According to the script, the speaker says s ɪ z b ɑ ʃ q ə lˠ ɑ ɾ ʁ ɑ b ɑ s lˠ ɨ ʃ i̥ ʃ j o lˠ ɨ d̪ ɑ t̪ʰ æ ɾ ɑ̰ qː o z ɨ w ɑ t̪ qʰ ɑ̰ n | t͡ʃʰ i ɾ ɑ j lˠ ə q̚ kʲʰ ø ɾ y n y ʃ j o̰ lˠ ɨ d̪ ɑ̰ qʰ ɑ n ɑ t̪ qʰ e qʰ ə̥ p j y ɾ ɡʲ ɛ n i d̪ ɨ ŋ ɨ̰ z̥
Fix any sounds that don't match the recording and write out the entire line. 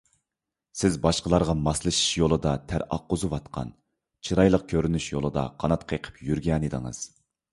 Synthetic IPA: s ɪ z b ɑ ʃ q ə lˠ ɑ ɾ ʁ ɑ m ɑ s lˠ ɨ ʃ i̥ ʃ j o lˠ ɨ d̪ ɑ t̪ʰ æ ɾ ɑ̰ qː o z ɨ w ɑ t̪ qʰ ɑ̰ n | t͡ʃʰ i ɾ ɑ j lˠ ə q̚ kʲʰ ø ɾ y n y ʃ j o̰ lˠ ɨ d̪ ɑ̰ qʰ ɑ n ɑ t̪ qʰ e qʰ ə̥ p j y ɾ ɡʲ ɛ n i d̪ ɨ ŋ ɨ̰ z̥